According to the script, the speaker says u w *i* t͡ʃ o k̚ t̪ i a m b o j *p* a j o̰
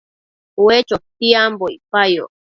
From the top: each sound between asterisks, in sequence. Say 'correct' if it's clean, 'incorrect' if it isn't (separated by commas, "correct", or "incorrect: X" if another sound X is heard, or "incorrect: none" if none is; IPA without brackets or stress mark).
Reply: incorrect: e, correct